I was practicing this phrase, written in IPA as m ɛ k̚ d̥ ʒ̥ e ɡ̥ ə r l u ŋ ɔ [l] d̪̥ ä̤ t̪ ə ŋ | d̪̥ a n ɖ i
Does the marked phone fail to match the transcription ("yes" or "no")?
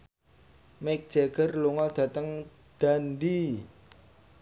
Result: no